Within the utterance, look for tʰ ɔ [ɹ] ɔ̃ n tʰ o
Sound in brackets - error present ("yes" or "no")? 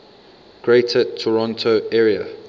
no